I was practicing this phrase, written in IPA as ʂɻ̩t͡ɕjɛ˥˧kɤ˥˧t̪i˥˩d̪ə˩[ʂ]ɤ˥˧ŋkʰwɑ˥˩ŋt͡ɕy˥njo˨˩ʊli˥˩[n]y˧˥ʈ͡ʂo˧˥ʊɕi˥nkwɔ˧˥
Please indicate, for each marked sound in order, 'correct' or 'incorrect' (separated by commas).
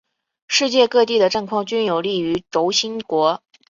incorrect, incorrect